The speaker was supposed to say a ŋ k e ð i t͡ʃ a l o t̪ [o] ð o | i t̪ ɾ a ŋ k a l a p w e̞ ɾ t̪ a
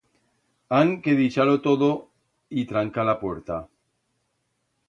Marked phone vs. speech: correct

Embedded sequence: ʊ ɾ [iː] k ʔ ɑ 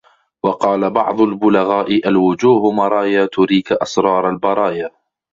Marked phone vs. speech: correct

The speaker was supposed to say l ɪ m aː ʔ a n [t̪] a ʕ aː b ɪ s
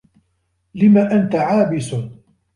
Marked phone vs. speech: correct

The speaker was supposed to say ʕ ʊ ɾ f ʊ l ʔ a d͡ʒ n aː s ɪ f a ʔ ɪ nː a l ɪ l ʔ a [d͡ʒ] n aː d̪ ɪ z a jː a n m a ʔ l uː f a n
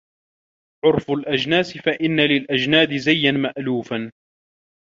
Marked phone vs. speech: correct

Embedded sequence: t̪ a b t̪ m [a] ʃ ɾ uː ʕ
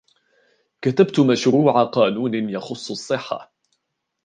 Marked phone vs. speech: correct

